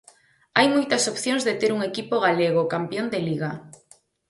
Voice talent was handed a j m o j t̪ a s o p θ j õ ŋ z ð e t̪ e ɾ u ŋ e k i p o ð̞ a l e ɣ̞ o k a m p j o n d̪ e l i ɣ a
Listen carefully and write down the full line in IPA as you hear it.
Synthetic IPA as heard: a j m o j t̪ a s o p θ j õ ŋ z ð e t̪ e ɾ u ŋ e k i p o ɣ̞ a l e ɣ̞ o k a m p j o n d̪ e l i ɣ a